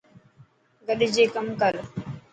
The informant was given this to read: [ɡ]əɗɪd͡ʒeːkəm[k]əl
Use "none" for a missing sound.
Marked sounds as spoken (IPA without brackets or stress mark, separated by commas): ɡ, k